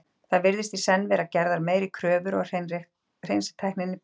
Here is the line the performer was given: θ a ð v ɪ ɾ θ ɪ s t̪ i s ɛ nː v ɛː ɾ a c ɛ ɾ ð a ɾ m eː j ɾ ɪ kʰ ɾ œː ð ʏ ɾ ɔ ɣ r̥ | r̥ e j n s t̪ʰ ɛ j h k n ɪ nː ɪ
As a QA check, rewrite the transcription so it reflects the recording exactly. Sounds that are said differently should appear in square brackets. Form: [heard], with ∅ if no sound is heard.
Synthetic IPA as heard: θ a ð v ɪ ɾ [ð] ɪ s t̪ i s ɛ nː v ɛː ɾ a c ɛ ɾ ð a ɾ m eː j ɾ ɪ kʰ ɾ œː [v] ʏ ɾ ɔ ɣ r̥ | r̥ e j n s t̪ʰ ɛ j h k n ɪ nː ɪ